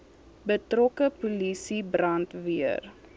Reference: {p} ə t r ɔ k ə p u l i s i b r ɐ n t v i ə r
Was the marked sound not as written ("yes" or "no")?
yes